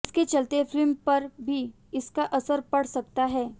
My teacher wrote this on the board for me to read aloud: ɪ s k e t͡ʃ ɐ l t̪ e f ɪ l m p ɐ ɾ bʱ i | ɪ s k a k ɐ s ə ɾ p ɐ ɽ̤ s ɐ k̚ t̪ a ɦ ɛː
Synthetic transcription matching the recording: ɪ s k e t͡ʃ ɐ l t̪ e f ɪ l m p ɐ ɾ bʱ i | ɪ s k a ʔ ɐ s ə ɾ p ɐ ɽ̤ s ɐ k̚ t̪ a ɦ ɛː